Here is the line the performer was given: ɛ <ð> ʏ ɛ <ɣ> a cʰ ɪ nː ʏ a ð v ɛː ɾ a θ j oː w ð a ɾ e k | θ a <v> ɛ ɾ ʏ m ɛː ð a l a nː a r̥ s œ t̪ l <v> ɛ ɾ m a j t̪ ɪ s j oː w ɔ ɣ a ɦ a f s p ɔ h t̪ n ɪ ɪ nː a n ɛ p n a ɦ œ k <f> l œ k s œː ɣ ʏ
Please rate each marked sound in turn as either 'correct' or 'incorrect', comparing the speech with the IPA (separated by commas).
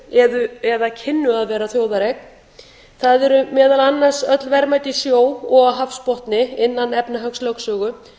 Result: correct, incorrect, incorrect, correct, incorrect